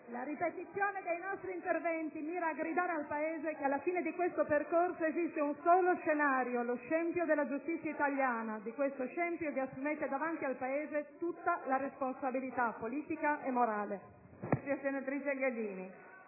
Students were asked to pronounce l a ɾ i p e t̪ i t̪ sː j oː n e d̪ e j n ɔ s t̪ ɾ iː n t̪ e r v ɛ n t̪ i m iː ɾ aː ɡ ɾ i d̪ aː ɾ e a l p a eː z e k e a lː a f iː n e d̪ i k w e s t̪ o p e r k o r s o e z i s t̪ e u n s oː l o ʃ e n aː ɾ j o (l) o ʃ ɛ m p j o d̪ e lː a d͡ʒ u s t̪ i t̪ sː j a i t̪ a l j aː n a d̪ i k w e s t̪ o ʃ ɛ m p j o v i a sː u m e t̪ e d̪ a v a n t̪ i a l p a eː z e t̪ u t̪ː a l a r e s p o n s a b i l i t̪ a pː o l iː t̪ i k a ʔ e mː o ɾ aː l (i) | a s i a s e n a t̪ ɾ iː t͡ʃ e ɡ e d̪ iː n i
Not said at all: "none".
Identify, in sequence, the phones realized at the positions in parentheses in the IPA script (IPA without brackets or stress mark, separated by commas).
l, e